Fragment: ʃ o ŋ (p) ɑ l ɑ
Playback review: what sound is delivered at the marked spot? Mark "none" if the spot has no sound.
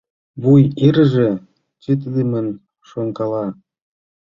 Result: k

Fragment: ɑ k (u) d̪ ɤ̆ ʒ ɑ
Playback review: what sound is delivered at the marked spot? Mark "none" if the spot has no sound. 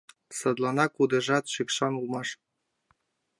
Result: u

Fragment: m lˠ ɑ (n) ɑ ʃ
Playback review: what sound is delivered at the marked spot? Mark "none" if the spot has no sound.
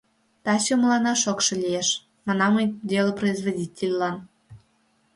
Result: n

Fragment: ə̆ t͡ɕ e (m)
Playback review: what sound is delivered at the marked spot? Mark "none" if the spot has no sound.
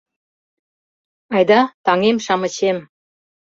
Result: m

